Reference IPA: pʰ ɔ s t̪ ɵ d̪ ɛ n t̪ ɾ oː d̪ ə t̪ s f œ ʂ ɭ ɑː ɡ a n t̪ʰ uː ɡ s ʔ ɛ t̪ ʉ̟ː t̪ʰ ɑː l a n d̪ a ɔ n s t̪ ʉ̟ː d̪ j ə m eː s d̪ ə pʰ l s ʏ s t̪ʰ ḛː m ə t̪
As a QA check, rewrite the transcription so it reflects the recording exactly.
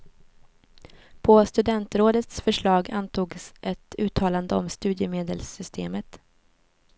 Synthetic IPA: pʰ ɔ s t̪ ɵ d̪ ɛ n t̪ ɾ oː d̪ ə t̪ s f œ ʂ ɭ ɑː ɡ a n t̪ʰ uː ɡ s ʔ ɛ t̪ ʉ̟ː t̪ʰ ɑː l a n d̪ ə ɔ m s t̪ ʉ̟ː d̪ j ə m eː d̪ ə l s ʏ s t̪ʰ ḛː m ə t̪